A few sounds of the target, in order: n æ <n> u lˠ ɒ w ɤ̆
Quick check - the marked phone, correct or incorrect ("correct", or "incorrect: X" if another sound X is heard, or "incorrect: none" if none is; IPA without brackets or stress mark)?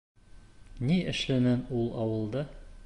correct